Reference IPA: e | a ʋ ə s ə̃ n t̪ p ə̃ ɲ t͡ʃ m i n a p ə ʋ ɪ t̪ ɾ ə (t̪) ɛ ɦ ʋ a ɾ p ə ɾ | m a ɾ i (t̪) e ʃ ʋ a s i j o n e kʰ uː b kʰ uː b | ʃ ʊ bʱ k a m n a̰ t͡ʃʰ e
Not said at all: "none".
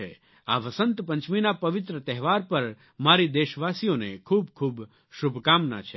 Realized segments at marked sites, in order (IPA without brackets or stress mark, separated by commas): t̪, d̪